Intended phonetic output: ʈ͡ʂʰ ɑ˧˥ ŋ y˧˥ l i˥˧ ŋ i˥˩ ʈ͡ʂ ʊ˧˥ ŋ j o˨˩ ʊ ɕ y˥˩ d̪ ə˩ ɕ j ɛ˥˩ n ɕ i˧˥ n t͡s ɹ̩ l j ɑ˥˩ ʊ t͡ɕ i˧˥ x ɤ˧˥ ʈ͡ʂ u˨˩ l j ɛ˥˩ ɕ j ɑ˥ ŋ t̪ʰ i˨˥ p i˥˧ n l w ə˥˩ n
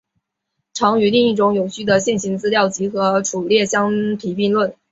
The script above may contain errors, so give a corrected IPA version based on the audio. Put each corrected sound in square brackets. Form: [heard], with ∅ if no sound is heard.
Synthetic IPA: ʈ͡ʂʰ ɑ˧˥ ŋ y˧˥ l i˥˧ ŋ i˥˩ ʈ͡ʂ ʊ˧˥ ŋ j o˨˩ ʊ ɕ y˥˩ d̪ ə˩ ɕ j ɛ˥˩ n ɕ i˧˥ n t͡s ɹ̩ l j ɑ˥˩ ʊ t͡ɕ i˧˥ x ɤ˧˥ [ʈ͡ʂʰ] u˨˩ l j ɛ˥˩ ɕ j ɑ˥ ŋ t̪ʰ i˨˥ p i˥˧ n l w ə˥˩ n